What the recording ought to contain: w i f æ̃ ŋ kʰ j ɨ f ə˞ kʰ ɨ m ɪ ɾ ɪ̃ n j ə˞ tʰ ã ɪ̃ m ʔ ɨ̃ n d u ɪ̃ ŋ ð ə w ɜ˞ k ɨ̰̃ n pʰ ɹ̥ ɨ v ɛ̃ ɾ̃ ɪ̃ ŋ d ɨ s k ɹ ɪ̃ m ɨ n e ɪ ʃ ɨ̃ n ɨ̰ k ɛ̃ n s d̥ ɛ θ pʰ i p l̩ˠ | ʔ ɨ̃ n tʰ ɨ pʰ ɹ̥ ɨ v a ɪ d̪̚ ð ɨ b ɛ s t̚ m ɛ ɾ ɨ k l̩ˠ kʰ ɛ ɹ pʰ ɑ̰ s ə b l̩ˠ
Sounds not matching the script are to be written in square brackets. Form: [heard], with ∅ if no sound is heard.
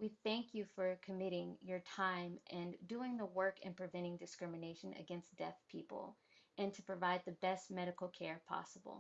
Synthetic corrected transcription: w i [θ] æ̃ ŋ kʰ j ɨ f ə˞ kʰ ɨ m ɪ ɾ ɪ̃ [ŋ] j ə˞ tʰ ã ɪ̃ m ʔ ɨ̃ n d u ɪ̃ ŋ ð ə w ɜ˞ k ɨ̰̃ n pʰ ɹ̥ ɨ v ɛ̃ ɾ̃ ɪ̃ ŋ d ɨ s k ɹ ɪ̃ m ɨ n e ɪ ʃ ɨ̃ n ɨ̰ [ɡ] ɛ̃ n s d̥ ɛ θ pʰ i p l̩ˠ | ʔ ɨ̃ n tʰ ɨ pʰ ɹ̥ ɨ v a ɪ d̪̚ ð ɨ b ɛ s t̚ m ɛ ɾ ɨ k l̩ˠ kʰ ɛ ɹ pʰ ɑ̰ s ə b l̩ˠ